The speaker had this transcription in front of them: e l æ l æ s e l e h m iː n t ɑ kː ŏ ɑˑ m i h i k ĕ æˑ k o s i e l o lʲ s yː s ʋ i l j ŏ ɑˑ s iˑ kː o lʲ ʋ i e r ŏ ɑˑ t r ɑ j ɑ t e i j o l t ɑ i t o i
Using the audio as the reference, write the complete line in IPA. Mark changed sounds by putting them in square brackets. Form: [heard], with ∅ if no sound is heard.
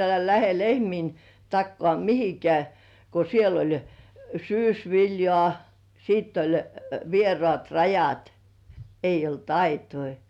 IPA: e l æ l æ [h] e l e h m iː n t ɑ kː ŏ ɑˑ m i h i k ĕ æˑ k o s i e l o lʲ s yː s ʋ i l j ŏ ɑˑ s iˑ [tː] o lʲ ʋ i e r ŏ ɑˑ t r ɑ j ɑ t e i j o l t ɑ i t o i